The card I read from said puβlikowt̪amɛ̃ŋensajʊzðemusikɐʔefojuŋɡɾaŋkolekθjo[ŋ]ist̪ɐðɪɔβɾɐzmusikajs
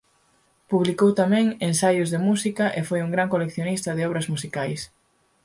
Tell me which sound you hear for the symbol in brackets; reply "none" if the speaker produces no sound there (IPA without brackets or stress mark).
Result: n